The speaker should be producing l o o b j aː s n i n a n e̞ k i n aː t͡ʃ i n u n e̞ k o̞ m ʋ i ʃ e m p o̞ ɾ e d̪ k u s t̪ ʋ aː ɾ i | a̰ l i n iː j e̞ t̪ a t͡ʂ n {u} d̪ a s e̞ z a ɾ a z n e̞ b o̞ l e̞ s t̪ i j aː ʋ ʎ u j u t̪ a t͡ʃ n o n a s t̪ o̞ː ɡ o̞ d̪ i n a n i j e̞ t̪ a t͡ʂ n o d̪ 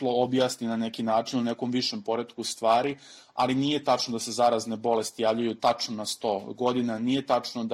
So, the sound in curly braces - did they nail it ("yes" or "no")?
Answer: no